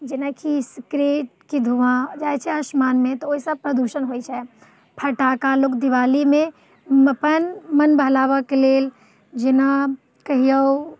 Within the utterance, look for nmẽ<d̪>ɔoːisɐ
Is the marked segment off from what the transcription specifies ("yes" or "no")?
yes